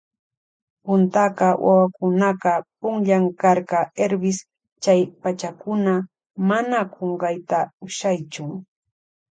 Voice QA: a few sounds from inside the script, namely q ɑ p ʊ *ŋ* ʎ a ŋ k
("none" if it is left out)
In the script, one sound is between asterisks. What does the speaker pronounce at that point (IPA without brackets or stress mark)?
ŋ